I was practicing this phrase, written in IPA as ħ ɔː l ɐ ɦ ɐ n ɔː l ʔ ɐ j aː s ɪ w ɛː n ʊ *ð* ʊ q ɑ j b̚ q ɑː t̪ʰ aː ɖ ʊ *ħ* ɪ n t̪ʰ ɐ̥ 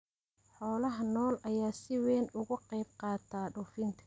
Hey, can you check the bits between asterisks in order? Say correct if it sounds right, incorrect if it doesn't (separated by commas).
incorrect, incorrect